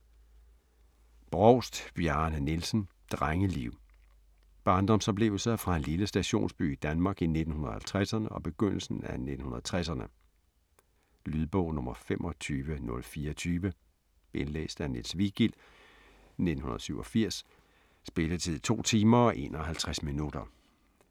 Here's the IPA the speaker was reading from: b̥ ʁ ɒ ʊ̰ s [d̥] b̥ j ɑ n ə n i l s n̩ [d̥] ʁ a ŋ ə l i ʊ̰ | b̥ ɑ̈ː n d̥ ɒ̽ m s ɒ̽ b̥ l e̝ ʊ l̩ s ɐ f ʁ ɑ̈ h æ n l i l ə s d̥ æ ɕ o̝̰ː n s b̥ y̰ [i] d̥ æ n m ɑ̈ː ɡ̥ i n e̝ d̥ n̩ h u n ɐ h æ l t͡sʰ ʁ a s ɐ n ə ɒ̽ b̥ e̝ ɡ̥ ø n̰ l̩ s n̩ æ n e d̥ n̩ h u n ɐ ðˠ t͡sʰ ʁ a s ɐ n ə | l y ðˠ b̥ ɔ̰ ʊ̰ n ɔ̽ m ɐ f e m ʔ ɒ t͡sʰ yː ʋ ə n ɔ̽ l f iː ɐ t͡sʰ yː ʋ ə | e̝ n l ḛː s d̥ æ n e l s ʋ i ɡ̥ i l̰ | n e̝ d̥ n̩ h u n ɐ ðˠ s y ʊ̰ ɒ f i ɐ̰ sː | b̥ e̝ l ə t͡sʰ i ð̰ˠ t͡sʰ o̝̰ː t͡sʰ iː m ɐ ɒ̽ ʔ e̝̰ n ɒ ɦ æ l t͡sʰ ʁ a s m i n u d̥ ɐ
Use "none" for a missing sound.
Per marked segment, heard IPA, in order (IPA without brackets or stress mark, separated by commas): d̥, d̥, i